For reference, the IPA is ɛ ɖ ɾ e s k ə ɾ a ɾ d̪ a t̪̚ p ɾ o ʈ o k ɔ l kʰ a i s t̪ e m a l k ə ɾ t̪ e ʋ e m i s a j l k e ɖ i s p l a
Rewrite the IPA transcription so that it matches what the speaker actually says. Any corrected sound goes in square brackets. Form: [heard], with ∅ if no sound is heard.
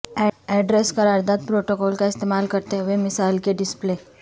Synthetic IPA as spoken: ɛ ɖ ɾ e s k ə ɾ a ɾ d̪ a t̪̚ p ɾ o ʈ o k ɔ l [k] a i s t̪ e m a l k ə ɾ t̪ e ʋ e m i s a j l k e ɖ i s p l [e]